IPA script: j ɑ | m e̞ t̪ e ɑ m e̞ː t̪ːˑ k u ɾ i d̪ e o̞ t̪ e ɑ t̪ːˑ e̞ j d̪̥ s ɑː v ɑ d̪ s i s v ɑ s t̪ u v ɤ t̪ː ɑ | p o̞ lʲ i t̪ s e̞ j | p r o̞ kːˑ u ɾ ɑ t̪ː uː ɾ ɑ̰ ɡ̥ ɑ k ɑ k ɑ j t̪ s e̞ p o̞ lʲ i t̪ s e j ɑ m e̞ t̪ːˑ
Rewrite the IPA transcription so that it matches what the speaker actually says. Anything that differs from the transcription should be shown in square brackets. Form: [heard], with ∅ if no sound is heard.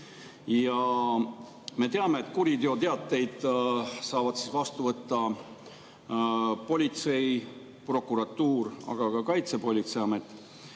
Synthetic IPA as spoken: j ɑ | m e̞ t̪ e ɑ m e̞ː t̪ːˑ k u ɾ i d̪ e o̞ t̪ e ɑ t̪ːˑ e̞ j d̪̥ s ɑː v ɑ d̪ s i s v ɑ s t̪ u v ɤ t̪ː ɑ | p o̞ lʲ i t̪ s e̞ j | p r o̞ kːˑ u ɾ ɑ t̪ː uː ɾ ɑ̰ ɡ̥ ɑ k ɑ k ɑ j t̪ s e̞ p o̞ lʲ i t̪ s e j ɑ m e̞ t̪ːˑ